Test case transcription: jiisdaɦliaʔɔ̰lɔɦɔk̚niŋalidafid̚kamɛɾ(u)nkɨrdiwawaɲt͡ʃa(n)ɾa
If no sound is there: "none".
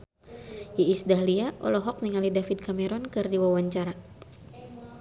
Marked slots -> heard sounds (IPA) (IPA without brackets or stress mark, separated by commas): ɔ, none